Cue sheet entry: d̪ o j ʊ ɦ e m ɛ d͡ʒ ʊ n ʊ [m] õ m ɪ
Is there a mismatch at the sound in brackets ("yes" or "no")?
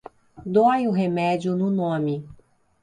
yes